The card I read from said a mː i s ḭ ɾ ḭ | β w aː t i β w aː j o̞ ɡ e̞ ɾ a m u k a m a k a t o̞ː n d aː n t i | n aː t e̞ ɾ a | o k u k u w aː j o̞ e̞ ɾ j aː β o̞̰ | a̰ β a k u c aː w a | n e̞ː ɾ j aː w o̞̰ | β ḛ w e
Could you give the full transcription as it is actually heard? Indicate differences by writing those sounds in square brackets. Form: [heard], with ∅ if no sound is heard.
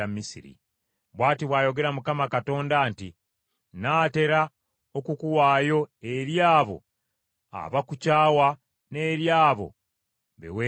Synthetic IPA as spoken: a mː i s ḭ ɾ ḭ | β w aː t i β w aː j o̞ ɡ e̞ ɾ a m u k a m a k a t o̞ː n d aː n t i | n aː t e̞ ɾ a | o k u k u w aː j o̞ e̞ ɾ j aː β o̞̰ | a̰ β a k u c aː w a | n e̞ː ɾ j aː [β] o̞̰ | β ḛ w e